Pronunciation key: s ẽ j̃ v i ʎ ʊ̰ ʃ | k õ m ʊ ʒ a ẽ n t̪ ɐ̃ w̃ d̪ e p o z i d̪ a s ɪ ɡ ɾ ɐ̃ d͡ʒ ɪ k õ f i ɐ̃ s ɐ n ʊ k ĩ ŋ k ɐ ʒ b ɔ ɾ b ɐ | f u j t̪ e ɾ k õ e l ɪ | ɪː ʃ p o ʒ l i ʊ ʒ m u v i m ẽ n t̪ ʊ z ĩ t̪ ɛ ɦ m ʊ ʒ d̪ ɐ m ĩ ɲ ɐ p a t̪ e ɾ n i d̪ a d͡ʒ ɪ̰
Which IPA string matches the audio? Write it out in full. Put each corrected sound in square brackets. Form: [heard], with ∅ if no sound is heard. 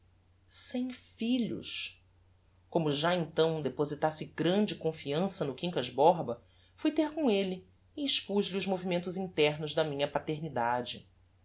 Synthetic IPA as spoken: s ẽ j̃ [f] i ʎ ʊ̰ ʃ | k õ m ʊ ʒ a ẽ n t̪ ɐ̃ w̃ d̪ e p o z i [t̪] a s ɪ ɡ ɾ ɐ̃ d͡ʒ ɪ k õ f i ɐ̃ s ɐ n ʊ k ĩ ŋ k ɐ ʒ b ɔ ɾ b ɐ | f u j t̪ e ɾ k õ e l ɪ | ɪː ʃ p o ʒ l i ʊ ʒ m [o] v i m ẽ n t̪ ʊ z ĩ t̪ ɛ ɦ [n] ʊ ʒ d̪ ɐ m ĩ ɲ ɐ p a t̪ e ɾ n i d̪ a d͡ʒ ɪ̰